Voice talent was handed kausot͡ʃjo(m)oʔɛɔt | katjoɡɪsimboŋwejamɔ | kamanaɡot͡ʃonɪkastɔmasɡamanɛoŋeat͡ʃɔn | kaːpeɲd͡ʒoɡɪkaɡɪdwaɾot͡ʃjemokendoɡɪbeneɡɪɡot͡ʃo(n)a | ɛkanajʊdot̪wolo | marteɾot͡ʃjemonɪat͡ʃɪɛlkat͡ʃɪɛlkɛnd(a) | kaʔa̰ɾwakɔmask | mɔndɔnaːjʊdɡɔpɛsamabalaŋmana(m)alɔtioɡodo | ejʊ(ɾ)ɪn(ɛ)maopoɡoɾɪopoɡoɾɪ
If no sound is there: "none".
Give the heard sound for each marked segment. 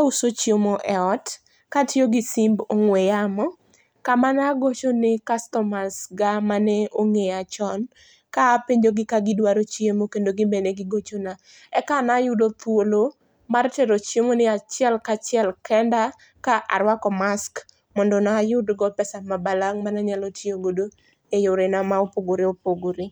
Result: m, n, a, ɲ, ɾ, a

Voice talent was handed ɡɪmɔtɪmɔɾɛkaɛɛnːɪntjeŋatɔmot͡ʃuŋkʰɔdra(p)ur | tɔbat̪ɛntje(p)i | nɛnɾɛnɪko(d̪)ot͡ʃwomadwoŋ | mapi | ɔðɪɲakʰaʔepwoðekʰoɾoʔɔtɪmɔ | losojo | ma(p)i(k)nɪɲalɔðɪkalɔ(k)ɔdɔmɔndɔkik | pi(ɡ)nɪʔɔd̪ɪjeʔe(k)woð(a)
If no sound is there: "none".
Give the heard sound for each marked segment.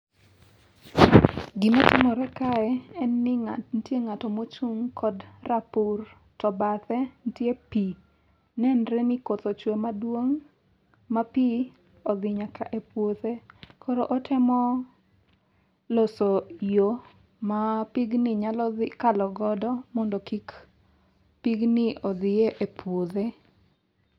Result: p, p, t̪, p, ɡ, ɡ, ɡ, p, e

